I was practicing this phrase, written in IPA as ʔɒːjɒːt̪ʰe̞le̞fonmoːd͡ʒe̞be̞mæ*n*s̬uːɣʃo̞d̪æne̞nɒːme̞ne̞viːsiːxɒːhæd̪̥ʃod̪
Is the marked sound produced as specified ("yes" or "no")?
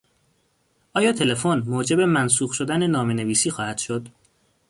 yes